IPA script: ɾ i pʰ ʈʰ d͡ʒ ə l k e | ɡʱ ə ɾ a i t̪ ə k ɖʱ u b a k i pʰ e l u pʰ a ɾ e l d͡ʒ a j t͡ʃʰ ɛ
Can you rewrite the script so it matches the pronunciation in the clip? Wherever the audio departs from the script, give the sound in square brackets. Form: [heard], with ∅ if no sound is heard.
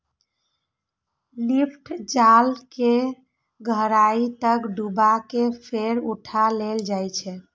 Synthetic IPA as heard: [l] i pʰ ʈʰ d͡ʒ [a] l k e | ɡʱ ə ɾ a i t̪ ə k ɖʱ u b a k [e] pʰ e [ɾ] u [ʈʰ] a [l] e l d͡ʒ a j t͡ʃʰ ɛ